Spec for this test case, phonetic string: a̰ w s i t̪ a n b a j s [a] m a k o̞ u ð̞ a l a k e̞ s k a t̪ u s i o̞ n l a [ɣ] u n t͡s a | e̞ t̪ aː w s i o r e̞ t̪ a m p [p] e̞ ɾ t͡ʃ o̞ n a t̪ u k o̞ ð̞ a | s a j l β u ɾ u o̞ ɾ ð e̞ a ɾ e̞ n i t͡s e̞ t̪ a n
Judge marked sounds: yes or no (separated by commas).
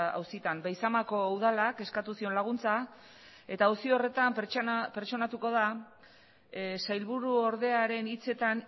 yes, yes, yes